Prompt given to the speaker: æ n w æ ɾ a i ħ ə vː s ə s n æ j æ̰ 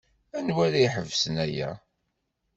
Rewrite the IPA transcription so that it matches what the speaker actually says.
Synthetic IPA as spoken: æ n w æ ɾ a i ħ ə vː s ə n æ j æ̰